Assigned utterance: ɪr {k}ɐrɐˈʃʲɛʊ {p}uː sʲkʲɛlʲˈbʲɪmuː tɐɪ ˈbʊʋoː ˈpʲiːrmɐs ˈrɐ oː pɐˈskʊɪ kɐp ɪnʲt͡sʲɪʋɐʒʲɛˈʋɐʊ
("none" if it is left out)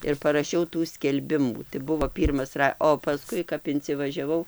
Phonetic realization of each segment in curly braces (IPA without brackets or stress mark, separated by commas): p, t